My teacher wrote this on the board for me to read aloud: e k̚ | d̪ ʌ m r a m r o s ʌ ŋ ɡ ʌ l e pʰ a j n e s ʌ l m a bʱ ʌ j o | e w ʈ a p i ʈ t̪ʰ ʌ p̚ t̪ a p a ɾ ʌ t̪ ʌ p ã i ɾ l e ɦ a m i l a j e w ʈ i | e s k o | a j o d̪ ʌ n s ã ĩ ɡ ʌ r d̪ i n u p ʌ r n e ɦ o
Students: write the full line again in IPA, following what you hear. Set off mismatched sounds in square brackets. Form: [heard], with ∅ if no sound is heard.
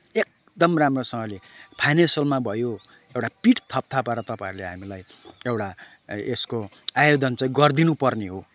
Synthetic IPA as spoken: e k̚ | d̪ ʌ m r a m r o s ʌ ŋ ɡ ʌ l e pʰ a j n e s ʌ l m a bʱ ʌ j o | e w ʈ a p i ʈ t̪ʰ ʌ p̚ [t̪ʰ] a p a ɾ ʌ t̪ ʌ p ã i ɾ l e ɦ a m i l a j e w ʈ [a] | e s k o | a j o d̪ ʌ n [t͡s] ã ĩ ɡ ʌ r d̪ i n u p ʌ r n e ɦ o